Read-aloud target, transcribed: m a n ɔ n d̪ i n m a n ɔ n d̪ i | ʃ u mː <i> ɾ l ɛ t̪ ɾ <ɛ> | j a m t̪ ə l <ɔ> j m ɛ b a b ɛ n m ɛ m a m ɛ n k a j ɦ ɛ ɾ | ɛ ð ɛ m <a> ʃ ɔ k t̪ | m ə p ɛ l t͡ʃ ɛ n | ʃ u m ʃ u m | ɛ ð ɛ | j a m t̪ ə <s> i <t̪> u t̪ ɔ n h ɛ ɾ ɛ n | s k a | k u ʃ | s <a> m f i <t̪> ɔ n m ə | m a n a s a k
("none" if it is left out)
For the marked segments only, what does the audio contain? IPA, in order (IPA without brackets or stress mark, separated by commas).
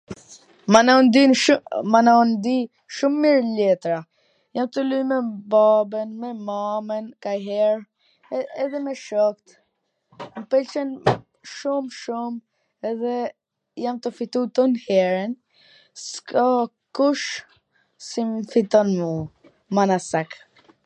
i, a, u, ɛ, f, t̪, i, t̪